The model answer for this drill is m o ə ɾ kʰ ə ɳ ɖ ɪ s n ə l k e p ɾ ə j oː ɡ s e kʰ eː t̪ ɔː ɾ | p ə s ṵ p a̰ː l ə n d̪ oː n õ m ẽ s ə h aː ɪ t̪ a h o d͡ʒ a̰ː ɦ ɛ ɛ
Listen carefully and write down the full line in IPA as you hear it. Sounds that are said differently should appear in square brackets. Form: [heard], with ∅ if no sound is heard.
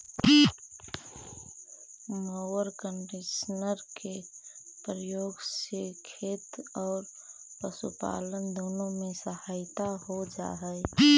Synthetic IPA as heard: m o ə ɾ [k] ə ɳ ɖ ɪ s n ə [ɾ] k e p ɾ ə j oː ɡ s e kʰ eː t̪ ɔː ɾ | p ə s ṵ p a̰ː l ə n d̪ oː n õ m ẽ s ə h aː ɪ t̪ a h o d͡ʒ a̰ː ɦ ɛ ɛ